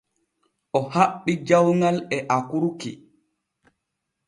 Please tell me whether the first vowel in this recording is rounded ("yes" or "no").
yes